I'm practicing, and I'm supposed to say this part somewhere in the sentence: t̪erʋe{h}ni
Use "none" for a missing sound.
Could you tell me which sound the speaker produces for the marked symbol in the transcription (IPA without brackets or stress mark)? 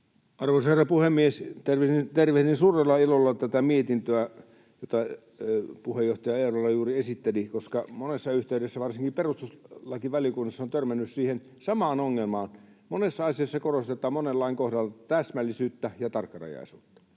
h